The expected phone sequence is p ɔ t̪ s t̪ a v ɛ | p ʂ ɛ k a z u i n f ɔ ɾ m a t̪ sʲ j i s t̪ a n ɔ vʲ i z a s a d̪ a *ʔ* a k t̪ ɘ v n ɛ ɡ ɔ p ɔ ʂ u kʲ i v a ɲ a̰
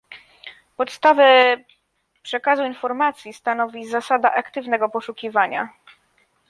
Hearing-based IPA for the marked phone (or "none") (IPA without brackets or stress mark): ʔ